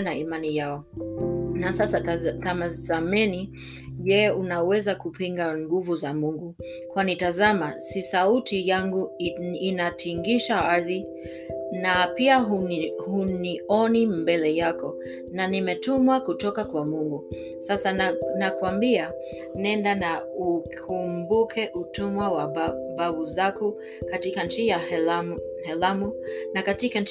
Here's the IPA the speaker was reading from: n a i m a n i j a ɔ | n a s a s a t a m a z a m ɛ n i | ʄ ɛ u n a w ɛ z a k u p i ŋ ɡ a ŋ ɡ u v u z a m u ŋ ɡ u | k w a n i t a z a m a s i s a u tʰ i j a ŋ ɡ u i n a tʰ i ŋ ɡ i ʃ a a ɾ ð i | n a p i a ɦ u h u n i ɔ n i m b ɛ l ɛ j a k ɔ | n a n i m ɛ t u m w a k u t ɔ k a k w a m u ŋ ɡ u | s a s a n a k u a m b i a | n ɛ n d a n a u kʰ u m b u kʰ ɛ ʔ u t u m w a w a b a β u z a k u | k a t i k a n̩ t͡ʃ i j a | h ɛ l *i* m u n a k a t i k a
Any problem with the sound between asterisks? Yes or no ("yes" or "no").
yes